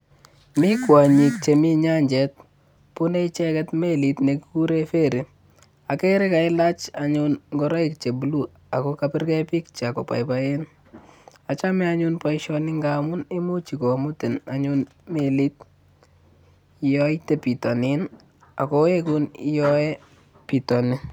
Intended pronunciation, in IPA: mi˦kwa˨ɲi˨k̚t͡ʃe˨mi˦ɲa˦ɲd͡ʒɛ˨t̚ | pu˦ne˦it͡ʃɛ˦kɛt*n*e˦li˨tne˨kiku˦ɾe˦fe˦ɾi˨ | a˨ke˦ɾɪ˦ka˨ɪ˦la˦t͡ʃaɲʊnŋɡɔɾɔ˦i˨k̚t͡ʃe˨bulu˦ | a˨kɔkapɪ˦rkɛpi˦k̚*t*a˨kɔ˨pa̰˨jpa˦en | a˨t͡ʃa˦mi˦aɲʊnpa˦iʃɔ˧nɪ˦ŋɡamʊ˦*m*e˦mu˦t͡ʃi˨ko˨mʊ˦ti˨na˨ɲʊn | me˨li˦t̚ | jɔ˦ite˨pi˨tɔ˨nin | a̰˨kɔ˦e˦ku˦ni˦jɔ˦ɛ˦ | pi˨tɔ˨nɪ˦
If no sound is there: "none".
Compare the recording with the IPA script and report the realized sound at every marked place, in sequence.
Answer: m, t͡ʃ, n

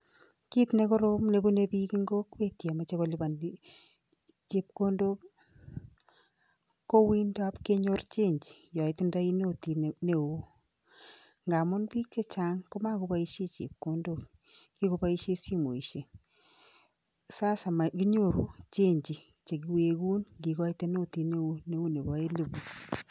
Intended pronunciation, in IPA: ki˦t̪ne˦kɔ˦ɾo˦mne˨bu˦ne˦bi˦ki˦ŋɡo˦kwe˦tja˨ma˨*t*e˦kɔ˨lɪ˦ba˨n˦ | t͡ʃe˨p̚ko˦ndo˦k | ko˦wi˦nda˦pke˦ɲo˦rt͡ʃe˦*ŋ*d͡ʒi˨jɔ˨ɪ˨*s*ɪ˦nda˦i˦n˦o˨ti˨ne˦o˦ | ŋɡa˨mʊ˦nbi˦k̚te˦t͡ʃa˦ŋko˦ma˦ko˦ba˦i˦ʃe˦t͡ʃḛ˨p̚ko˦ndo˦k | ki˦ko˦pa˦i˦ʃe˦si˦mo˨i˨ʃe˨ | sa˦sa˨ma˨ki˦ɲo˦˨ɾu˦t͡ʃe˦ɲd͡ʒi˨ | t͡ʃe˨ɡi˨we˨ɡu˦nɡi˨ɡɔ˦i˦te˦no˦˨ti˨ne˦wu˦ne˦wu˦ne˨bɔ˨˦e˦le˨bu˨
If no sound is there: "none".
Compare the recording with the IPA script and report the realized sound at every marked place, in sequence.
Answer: t͡ʃ, ɲ, t

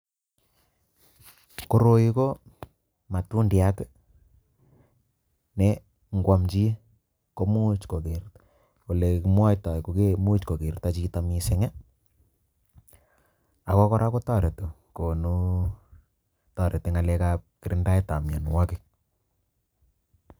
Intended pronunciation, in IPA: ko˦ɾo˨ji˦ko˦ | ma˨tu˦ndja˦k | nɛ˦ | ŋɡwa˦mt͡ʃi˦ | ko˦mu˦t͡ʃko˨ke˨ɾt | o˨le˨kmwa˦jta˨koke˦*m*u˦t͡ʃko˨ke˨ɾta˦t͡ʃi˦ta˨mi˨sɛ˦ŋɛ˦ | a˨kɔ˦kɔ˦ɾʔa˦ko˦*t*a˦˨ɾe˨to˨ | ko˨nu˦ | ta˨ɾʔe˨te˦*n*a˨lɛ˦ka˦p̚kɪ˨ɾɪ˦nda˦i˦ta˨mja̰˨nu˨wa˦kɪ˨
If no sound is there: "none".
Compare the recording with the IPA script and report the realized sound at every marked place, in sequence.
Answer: m, t, ŋ

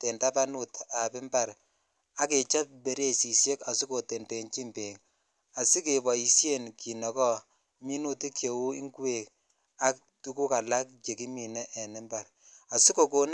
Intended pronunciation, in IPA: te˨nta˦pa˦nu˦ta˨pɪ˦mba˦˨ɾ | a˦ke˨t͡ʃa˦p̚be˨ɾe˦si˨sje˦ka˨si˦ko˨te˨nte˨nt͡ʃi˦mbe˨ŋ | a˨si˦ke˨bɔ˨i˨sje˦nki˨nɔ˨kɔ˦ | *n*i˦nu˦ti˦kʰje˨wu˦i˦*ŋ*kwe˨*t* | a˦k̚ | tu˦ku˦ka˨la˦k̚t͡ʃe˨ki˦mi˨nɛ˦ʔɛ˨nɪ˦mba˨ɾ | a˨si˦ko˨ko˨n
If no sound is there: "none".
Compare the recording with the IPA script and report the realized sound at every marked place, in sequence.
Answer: m, ŋ, k

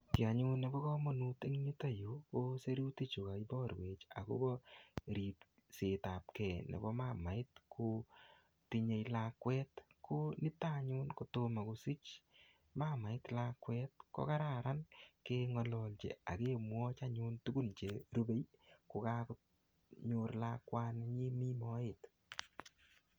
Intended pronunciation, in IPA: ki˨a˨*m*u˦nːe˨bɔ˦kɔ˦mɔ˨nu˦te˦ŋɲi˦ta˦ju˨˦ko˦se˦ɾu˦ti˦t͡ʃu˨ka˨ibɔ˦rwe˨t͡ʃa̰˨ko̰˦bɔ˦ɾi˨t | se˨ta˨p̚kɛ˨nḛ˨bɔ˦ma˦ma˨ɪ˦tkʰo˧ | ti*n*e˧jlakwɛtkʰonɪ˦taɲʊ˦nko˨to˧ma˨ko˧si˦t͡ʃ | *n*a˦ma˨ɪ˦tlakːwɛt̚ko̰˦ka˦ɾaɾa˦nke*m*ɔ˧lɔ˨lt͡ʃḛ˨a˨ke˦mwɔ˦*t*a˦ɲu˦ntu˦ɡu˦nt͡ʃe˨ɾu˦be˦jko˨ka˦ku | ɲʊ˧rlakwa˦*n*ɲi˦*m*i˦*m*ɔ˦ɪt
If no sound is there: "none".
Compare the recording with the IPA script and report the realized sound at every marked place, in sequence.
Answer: ɲ, ɲ, m, ŋ, t͡ʃ, n, m, m

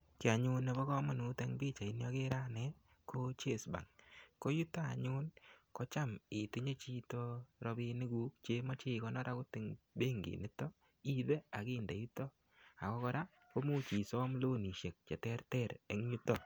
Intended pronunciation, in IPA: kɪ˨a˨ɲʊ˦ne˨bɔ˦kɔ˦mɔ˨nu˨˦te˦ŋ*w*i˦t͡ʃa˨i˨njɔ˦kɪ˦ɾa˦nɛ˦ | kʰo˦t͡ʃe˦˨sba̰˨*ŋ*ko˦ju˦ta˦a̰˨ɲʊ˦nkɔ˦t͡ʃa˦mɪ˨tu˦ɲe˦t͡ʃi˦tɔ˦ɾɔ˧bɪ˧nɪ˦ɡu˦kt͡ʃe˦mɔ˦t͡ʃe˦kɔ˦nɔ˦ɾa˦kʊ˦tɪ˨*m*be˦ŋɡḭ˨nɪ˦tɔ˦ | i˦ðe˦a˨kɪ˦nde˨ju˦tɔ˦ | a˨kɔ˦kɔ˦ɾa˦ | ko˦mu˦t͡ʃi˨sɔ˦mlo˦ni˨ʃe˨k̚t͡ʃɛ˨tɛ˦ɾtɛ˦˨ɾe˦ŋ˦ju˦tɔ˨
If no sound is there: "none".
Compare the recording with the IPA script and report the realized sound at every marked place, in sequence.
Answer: b, ŋ, ŋ

